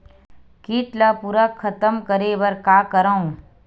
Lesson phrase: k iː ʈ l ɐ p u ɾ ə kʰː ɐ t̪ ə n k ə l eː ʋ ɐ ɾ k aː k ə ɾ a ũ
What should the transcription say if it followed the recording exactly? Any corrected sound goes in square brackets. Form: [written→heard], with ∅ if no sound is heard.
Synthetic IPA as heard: k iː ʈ l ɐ p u ɾ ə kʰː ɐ t̪ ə [n→m] k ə [l→ɾ] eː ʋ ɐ ɾ k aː k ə ɾ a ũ